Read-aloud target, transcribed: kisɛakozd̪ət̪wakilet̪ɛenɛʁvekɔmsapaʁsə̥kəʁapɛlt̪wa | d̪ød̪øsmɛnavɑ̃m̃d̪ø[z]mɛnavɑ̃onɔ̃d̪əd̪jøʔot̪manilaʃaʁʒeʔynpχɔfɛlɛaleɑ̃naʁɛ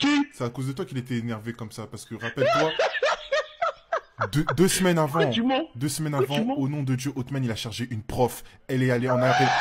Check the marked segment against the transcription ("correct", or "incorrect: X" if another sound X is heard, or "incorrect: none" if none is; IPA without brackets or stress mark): incorrect: s